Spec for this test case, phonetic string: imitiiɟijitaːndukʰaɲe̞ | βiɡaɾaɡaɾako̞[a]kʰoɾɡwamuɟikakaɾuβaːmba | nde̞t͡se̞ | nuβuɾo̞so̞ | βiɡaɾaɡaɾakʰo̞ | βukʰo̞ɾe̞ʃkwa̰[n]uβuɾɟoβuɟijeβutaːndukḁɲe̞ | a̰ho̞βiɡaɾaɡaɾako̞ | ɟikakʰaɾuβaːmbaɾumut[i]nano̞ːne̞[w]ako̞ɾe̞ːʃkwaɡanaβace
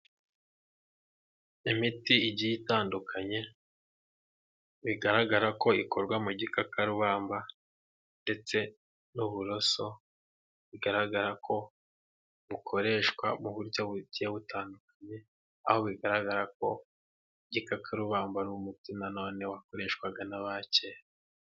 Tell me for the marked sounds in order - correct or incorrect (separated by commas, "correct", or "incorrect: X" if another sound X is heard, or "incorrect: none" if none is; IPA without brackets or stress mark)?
incorrect: i, incorrect: m, correct, correct